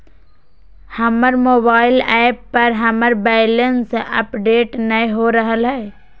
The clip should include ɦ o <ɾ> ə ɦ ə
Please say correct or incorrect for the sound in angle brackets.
correct